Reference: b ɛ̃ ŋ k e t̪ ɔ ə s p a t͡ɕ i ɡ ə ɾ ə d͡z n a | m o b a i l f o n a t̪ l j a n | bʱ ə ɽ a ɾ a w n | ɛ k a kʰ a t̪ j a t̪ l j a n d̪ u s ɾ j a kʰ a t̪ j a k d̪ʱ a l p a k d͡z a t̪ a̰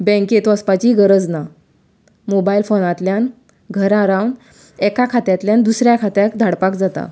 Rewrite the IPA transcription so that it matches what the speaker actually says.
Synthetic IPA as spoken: b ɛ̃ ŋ k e t̪ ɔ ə s p a t͡ɕ i ɡ ə ɾ ə d͡z n a | m o b a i l f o n a t̪ l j a n | ɡʱ ə ɾ a ɾ a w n | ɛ k a kʰ a t̪ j a t̪ l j a n d̪ u s ɾ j a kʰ a t̪ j a k d̪ʱ a ɽ p a k d͡z a t̪ a̰